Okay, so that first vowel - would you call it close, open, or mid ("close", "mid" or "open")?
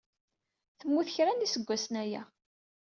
mid